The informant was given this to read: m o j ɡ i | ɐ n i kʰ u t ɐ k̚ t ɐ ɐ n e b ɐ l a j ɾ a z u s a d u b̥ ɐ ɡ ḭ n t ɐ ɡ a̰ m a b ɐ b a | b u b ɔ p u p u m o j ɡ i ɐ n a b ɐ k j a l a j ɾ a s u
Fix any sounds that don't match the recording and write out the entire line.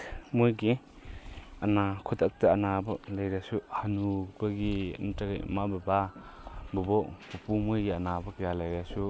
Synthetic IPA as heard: m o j ɡ i | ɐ n a kʰ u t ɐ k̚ t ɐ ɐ n a b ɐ l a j ɾ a s u h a n u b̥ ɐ ɡ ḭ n t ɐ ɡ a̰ m a b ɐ b a | b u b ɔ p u p u m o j ɡ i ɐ n a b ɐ k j a l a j ɾ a s u